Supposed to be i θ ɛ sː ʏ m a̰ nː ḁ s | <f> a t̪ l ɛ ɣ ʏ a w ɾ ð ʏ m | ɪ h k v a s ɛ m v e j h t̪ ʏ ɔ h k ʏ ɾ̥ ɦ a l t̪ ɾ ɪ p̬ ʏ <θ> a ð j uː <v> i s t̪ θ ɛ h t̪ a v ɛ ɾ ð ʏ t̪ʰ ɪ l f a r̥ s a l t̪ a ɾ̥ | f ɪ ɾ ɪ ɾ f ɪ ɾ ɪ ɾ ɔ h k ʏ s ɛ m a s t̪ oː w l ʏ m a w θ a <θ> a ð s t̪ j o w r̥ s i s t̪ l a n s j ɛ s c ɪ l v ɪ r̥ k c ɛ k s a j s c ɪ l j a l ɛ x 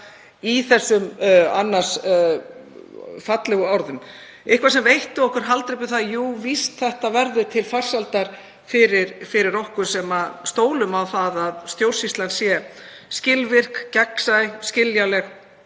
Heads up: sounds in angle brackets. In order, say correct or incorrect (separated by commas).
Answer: correct, correct, correct, incorrect